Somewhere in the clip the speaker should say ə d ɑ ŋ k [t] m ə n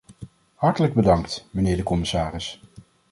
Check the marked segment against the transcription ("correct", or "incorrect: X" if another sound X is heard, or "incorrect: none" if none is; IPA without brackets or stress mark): correct